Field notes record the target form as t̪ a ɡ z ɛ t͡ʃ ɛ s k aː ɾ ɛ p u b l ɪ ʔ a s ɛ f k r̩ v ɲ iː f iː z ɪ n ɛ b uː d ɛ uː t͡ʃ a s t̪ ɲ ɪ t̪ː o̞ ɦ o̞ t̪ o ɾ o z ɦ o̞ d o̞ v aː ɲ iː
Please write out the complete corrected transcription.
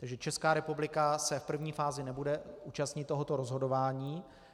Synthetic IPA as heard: t̪ a ɡ ʒ ɛ t͡ʃ ɛ s k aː ɾ ɛ p u b l ɪ k a s ɛ f p r̩ v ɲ iː f aː z ɪ n ɛ b u d ɛ uː t͡ʃ a s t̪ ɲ ɪ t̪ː o̞ ɦ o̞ t̪ o ɾ o z ɦ o̞ d o̞ v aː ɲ iː